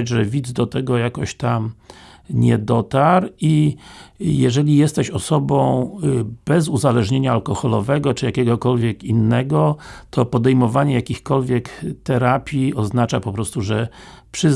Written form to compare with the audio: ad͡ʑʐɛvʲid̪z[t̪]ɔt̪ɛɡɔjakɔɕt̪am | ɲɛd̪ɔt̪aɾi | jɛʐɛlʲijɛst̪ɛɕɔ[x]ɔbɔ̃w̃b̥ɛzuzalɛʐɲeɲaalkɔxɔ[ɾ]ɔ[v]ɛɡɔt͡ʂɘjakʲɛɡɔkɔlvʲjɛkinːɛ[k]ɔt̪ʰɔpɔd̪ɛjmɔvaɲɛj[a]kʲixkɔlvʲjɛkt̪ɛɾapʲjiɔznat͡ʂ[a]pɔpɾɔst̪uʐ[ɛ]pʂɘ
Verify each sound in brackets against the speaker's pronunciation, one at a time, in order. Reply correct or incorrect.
incorrect, incorrect, incorrect, correct, incorrect, correct, correct, correct

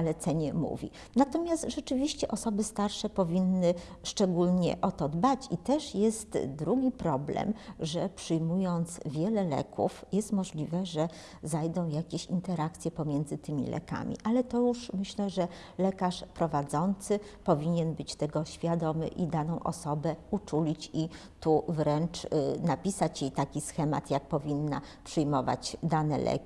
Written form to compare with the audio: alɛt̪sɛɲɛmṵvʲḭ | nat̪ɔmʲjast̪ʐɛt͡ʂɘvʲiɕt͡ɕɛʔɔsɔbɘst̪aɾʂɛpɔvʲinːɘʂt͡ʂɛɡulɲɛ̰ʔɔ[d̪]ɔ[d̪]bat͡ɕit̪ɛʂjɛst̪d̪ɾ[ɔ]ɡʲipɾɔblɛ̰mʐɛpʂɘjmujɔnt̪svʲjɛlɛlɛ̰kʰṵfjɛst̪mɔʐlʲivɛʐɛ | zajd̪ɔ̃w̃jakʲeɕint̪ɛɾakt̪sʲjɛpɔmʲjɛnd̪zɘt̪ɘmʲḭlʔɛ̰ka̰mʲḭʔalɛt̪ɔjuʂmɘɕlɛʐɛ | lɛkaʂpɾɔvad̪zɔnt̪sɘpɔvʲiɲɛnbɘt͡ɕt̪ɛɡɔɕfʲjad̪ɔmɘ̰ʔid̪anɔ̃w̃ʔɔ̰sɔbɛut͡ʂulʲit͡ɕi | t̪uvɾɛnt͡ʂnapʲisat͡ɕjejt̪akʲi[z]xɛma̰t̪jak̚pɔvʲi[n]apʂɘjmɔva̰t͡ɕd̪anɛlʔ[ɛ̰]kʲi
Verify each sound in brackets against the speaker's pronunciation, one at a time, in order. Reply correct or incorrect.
incorrect, correct, incorrect, incorrect, incorrect, correct

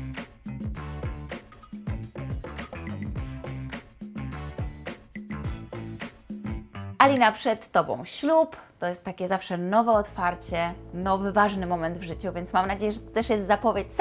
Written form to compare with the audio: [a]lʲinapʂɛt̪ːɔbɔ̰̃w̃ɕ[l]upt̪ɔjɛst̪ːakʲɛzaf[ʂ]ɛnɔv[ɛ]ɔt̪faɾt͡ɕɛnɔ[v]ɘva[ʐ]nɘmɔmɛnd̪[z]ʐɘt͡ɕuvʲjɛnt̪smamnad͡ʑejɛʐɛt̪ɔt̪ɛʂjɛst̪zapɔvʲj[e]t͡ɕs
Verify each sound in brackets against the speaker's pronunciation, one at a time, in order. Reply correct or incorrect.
correct, correct, correct, correct, correct, correct, incorrect, correct

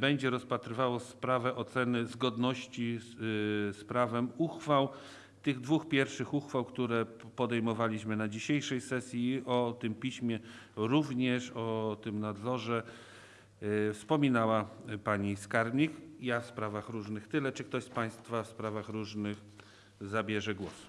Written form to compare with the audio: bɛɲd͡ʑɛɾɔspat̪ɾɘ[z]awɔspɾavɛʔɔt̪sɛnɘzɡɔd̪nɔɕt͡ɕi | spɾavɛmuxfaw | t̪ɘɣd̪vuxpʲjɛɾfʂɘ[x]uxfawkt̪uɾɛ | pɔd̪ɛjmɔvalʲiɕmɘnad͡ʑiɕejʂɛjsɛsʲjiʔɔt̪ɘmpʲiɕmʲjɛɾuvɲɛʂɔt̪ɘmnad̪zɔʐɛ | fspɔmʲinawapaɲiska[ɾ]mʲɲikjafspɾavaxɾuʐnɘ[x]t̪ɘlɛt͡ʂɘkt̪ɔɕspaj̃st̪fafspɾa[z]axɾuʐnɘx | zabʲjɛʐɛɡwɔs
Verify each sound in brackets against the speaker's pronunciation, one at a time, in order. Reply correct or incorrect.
incorrect, correct, correct, correct, incorrect

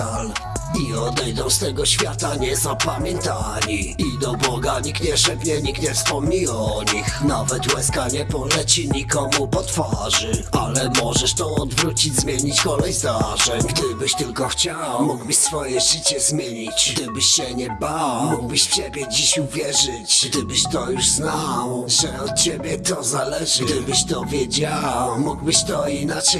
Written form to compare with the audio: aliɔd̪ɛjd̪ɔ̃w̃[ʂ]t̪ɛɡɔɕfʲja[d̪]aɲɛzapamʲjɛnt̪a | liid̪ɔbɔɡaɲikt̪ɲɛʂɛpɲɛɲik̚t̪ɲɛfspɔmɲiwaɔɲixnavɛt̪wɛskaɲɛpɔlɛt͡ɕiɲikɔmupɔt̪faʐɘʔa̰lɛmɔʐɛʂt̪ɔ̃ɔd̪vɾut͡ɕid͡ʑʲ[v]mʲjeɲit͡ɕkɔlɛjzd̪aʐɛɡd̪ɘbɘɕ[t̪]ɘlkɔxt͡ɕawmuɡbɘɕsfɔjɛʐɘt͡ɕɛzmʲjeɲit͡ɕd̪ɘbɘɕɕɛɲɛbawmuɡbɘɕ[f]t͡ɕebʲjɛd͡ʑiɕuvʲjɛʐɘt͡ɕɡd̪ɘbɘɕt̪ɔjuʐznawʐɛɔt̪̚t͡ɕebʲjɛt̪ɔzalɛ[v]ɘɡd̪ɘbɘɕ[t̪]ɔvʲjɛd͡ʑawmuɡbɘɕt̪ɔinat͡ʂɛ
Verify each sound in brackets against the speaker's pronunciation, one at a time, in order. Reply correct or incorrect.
incorrect, incorrect, incorrect, correct, correct, incorrect, correct

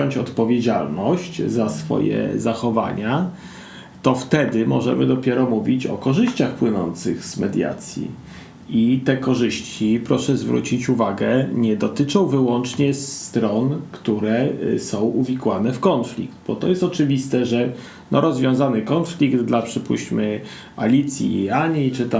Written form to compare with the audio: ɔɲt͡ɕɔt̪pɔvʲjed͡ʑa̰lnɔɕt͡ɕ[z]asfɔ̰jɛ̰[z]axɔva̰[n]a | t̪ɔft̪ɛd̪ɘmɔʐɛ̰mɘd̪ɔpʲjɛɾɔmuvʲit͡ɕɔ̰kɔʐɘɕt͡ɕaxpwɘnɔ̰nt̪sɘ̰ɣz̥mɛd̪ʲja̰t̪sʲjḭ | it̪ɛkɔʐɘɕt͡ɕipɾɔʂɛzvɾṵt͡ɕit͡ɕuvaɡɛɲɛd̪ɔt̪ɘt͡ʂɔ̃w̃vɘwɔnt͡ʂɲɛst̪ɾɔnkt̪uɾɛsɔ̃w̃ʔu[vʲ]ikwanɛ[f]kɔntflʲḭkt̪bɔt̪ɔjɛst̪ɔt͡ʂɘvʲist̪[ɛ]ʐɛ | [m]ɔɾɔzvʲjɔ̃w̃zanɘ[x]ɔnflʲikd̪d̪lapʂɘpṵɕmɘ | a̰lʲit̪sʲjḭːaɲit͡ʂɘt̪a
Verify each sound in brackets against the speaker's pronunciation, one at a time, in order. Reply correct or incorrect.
correct, correct, incorrect, correct, correct, correct, incorrect, incorrect

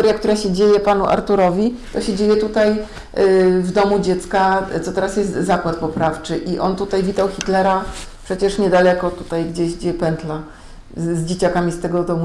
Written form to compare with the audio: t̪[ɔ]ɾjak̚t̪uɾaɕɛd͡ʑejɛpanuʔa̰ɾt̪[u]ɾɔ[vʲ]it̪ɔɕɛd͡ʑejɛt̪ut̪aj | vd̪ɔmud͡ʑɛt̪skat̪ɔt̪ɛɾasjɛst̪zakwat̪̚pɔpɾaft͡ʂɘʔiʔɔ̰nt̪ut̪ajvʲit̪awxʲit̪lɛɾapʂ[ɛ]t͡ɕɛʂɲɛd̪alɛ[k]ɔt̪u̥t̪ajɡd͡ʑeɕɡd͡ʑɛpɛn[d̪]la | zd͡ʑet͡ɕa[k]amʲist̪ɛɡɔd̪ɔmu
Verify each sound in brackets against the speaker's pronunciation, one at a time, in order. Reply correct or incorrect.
correct, correct, correct, correct, correct, incorrect, correct

